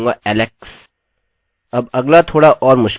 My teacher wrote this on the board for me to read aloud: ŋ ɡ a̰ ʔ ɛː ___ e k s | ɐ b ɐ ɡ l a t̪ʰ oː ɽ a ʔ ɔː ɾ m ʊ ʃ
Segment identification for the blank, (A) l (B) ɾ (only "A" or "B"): A